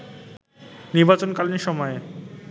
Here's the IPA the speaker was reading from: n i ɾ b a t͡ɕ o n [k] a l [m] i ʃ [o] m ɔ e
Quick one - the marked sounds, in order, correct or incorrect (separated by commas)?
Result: correct, incorrect, incorrect